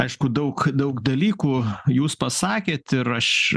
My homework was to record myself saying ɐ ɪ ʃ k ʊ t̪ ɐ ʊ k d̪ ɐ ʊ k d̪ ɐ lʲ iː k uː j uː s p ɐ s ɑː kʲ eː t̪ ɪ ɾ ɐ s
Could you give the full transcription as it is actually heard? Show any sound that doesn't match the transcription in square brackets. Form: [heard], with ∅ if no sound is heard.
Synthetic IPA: ɐ ɪ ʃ k ʊ [d̪] ɐ ʊ k d̪ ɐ ʊ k d̪ ɐ lʲ iː k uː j uː s p ɐ s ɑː kʲ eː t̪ ɪ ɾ ɐ [ʃ]

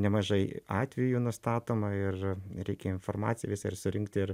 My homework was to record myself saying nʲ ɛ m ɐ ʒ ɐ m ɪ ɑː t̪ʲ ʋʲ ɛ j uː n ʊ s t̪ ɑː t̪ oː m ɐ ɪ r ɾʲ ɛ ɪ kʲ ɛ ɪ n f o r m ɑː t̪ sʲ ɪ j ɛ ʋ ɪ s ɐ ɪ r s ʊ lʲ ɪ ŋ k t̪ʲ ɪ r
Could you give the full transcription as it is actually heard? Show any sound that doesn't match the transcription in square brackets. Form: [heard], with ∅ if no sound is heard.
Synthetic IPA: nʲ ɛ m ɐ ʒ ɐ [∅] ɪ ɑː t̪ʲ ʋʲ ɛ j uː n ʊ s t̪ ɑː t̪ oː m ɐ ɪ r ɾʲ ɛ ɪ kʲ ɛ ɪ n f o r m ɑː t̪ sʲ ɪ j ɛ ʋ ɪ s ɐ ɪ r s ʊ [ɾʲ] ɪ ŋ k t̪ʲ ɪ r

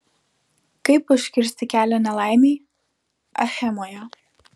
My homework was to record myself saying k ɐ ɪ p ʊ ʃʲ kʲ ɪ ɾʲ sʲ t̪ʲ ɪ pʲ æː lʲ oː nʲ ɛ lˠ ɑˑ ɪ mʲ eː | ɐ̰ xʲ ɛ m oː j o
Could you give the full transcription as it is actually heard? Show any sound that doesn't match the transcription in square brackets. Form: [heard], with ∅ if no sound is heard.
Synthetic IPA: k ɐ ɪ p ʊ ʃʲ kʲ ɪ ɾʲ sʲ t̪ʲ ɪ [kʲ] æː lʲ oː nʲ ɛ lˠ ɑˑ ɪ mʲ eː | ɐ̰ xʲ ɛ m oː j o

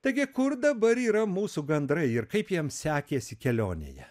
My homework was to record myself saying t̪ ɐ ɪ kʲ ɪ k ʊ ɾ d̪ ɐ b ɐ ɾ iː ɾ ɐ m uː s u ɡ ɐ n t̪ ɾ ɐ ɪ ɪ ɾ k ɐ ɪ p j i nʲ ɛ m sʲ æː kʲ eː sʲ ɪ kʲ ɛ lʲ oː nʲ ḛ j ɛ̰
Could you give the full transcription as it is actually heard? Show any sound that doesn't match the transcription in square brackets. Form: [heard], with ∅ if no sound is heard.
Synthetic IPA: t̪ ɐ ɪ [ɡʲ] ɪ k ʊ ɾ d̪ ɐ b ɐ ɾ iː ɾ ɐ m uː s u ɡ ɐ n [d̪] ɾ ɐ ɪ ɪ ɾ k ɐ ɪ p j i [∅] ɛ m sʲ æː kʲ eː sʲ ɪ kʲ ɛ lʲ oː nʲ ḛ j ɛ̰

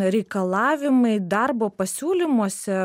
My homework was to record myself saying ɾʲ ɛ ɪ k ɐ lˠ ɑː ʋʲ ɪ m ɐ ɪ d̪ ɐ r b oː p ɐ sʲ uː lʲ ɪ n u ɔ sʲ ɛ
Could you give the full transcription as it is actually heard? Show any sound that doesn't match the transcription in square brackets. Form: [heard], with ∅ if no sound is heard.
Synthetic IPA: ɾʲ ɛ ɪ k ɐ lˠ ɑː ʋʲ ɪ m ɐ ɪ d̪ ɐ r b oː p ɐ sʲ uː lʲ ɪ [m] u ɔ sʲ ɛ

